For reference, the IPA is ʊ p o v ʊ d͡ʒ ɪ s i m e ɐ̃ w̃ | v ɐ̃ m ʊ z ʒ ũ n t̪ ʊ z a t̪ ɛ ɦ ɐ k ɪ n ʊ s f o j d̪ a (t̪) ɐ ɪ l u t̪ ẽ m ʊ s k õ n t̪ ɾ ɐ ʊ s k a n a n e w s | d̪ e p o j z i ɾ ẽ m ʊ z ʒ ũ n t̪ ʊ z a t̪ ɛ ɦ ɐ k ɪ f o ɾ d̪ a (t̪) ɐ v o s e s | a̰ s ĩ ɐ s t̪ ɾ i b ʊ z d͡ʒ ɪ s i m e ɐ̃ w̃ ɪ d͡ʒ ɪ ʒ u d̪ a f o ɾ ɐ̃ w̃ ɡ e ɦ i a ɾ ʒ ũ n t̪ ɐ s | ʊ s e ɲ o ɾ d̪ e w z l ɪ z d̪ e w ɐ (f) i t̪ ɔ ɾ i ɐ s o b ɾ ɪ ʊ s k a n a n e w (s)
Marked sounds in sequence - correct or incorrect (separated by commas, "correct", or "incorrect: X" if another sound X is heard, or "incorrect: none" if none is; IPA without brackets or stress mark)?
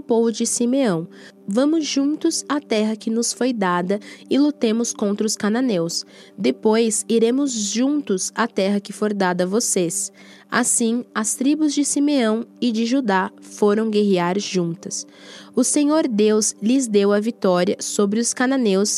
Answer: incorrect: d̪, incorrect: d̪, incorrect: v, correct